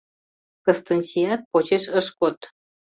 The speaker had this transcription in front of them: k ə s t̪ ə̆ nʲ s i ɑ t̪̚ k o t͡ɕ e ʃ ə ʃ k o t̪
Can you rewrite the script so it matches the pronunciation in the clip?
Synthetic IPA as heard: k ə s t̪ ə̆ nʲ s i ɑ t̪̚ p o t͡ɕ e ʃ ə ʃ k o t̪